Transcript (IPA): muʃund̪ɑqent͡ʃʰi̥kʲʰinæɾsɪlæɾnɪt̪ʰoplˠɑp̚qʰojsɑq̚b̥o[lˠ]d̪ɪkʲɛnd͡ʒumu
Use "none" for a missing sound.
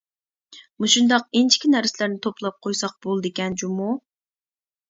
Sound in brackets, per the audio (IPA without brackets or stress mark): lˠ